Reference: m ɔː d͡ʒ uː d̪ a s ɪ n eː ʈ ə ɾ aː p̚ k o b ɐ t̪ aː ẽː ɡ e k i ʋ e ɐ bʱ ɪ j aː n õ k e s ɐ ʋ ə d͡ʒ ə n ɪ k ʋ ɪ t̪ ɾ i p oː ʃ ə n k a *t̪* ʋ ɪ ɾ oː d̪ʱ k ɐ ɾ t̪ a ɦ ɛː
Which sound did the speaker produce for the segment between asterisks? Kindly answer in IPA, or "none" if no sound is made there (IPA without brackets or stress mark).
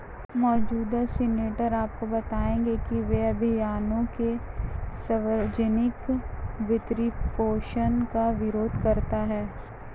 none